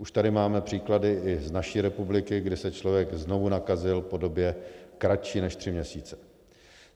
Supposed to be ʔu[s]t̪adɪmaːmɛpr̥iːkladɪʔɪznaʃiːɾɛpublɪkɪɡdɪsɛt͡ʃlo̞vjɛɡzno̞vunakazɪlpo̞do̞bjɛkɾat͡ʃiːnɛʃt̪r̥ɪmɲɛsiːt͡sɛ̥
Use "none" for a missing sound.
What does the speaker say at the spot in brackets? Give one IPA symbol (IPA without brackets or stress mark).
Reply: ʃ